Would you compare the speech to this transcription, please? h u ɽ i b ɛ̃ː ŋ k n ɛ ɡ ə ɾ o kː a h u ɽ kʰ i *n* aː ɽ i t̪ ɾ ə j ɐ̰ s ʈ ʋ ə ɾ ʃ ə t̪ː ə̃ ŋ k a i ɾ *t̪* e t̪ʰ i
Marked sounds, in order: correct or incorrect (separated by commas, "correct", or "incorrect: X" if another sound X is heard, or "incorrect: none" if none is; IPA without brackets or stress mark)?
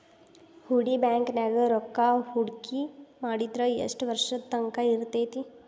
incorrect: m, correct